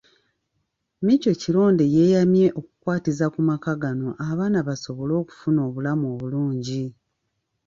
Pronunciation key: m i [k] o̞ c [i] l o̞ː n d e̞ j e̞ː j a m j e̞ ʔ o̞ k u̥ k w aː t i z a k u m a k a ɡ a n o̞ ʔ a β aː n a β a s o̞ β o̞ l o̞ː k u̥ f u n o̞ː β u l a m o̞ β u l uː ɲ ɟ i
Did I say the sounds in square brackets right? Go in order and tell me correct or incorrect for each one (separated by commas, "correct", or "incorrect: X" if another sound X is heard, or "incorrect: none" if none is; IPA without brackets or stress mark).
incorrect: c, correct